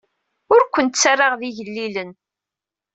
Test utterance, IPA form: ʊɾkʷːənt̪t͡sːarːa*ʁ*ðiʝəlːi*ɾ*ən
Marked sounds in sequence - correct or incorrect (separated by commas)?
correct, incorrect